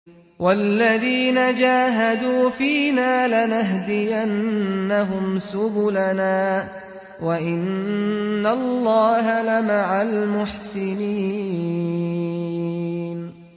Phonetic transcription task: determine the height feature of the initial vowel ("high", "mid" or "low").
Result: low